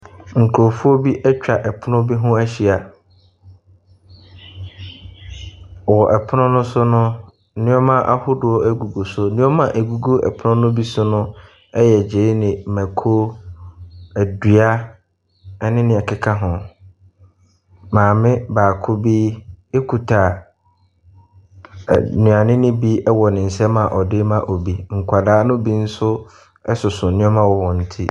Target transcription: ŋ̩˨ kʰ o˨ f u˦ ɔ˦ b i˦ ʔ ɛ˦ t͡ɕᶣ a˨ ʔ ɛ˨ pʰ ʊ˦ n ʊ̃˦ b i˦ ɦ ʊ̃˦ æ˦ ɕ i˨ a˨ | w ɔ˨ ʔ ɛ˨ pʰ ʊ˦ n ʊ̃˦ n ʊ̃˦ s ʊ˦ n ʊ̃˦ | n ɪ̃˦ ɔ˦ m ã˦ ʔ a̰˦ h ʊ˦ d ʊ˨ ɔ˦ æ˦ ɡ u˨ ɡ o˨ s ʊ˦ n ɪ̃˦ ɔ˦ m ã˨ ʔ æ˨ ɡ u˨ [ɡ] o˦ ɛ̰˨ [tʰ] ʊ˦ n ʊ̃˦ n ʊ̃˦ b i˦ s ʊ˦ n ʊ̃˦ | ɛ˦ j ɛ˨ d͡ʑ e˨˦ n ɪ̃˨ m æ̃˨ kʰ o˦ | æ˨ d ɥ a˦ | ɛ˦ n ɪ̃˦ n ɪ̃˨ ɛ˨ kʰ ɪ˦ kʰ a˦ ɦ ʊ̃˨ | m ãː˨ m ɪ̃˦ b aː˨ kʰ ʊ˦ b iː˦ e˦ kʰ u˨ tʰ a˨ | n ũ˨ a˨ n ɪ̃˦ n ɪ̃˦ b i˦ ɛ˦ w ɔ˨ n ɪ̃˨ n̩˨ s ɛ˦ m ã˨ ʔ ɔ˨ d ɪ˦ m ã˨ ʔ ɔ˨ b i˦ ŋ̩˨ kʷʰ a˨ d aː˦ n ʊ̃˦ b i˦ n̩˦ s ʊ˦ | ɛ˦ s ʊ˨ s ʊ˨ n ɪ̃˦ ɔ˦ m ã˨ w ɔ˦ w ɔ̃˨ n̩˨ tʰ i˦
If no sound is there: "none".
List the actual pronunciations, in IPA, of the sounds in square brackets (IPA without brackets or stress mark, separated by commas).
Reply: ɡ, pʰ